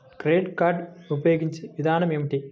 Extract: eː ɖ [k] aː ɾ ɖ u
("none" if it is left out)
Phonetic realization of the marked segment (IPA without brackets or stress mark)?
k